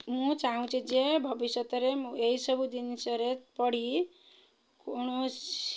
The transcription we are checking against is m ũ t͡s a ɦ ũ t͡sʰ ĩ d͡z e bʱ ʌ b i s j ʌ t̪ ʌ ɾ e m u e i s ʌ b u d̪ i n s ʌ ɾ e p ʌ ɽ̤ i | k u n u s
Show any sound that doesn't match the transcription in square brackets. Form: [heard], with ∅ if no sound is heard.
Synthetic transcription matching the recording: m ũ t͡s a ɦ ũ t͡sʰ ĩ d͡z e bʱ ʌ b i s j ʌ t̪ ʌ ɾ e m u e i s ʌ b u d̪ i n s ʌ ɾ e p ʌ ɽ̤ i | k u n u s